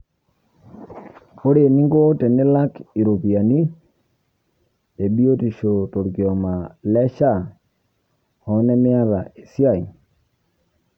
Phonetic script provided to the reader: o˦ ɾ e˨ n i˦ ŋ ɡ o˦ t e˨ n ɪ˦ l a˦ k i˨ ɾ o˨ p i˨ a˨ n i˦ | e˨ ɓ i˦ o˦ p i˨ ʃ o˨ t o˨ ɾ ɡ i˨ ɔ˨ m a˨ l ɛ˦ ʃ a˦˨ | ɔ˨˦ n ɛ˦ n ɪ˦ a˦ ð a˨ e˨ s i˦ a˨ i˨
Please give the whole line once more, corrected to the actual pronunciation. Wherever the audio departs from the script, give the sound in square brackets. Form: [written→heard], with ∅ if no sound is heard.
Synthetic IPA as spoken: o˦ ɾ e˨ n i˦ ŋ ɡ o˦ t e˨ n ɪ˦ l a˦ k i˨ ɾ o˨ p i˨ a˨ n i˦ | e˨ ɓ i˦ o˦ [p→t] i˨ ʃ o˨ t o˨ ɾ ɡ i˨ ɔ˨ m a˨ l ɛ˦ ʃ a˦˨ | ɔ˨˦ n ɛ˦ [n→m] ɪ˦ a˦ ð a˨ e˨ s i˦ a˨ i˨